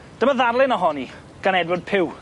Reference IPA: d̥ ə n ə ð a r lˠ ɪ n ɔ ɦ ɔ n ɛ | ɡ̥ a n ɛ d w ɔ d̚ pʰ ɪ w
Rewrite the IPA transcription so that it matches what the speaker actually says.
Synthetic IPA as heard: d̥ ə m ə ð a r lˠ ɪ n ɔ ɦ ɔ n i | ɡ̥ a n ɛ d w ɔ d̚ pʰ ɪ w